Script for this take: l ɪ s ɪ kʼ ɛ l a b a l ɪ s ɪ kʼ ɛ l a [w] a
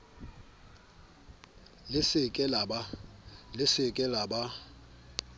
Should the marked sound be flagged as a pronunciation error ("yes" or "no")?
yes